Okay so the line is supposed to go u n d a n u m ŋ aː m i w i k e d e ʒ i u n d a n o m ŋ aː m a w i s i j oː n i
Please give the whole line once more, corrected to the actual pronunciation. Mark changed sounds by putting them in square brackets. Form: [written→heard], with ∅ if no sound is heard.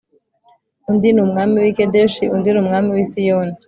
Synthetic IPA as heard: u n d [a→i] n u m ŋ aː m i w i k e d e [ʒ→ʃ] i u n d [a→i] n [o→u] m ŋ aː m [a→i] w i s i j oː n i